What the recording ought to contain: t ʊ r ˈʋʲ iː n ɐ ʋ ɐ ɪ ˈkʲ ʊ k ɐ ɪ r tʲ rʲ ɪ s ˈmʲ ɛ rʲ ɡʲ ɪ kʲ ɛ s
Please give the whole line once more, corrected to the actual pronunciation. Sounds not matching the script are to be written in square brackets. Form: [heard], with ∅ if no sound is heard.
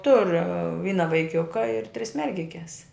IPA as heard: t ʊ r ˈʋʲ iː n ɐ ʋ ɐ ɪ ˈkʲ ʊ k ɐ ɪ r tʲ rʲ ɪ s ˈmʲ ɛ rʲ ɡʲ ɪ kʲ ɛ s